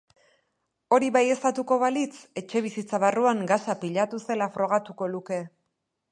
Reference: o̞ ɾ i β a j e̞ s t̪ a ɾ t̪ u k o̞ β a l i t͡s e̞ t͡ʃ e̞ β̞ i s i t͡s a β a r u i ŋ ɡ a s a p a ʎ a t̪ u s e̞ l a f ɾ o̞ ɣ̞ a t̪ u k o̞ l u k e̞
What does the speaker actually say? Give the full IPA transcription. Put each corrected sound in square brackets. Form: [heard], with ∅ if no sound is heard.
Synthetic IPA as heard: o̞ ɾ i β a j e̞ s t̪ a [∅] t̪ u k o̞ β a l i t͡s e̞ t͡ʃ e̞ β̞ i s i t͡s a β a r u [a] ŋ ɡ a s a p [i] ʎ a t̪ u s e̞ l a f ɾ o̞ ɣ̞ a t̪ u k o̞ l u k e̞